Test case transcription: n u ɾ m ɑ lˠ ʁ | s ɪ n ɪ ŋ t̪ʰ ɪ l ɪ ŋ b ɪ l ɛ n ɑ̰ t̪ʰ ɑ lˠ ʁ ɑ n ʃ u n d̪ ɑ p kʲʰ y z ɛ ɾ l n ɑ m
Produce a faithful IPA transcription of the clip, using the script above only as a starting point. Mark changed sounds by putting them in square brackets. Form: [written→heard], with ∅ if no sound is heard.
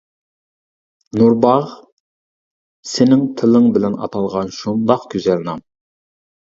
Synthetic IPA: n u ɾ [m→b] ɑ [lˠ→∅] ʁ | s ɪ n ɪ ŋ t̪ʰ ɪ l ɪ ŋ b ɪ l ɛ n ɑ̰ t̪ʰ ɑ lˠ ʁ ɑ n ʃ u n d̪ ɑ [p→q] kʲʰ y z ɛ [ɾ→∅] l n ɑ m